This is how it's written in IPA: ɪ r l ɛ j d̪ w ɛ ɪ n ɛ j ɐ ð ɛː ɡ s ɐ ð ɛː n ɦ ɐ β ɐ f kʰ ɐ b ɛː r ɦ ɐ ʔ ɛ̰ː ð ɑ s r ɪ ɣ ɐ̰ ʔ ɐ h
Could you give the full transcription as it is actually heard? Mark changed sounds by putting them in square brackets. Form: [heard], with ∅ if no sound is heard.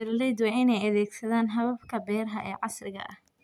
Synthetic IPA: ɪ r l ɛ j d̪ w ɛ ɪ n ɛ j ɐ ð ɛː ɡ s ɐ ð [aː] n ɦ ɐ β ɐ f kʰ ɐ b ɛː r ɦ ɐ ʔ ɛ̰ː [ʕ] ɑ s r ɪ ɣ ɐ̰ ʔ ɐ h